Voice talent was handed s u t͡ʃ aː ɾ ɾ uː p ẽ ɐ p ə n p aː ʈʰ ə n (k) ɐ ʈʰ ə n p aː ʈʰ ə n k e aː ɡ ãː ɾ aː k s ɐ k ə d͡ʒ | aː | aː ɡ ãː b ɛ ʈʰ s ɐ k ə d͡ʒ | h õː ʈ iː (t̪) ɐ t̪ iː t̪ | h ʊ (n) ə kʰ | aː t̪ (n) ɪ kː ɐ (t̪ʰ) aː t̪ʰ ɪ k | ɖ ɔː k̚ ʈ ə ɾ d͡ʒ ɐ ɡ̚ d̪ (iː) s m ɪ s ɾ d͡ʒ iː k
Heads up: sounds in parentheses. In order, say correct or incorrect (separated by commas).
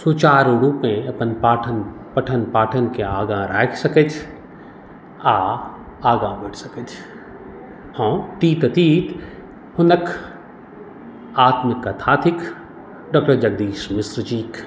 incorrect, correct, correct, incorrect, correct, correct